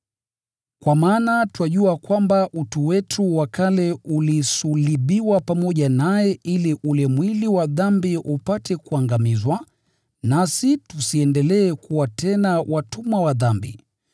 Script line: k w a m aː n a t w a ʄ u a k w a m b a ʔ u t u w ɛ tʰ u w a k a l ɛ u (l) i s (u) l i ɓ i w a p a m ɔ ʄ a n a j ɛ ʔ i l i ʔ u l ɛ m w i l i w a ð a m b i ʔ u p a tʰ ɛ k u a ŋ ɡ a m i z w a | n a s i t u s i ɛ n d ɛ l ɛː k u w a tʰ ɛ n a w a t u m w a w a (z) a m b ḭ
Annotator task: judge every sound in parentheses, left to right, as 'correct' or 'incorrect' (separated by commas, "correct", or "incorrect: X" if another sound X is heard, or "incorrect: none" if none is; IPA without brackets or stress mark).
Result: correct, correct, incorrect: ð